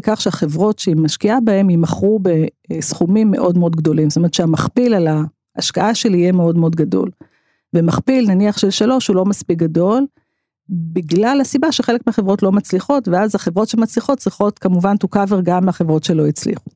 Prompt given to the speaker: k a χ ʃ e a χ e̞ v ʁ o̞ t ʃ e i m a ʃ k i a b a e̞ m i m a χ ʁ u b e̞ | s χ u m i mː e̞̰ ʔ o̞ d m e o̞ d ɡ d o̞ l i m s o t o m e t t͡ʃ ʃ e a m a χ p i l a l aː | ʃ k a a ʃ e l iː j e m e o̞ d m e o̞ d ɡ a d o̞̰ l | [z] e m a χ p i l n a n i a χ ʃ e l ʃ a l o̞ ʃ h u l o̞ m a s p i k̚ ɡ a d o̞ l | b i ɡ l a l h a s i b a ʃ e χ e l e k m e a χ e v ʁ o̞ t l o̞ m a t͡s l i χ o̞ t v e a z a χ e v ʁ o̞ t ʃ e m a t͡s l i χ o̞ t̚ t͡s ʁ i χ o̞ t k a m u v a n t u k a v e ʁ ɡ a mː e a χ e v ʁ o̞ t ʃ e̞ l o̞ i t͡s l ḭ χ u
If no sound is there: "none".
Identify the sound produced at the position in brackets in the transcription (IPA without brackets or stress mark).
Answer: v